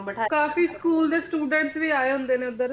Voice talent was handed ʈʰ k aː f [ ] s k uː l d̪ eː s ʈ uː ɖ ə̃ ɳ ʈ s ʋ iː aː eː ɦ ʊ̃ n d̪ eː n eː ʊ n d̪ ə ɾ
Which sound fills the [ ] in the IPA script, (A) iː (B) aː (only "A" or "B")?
A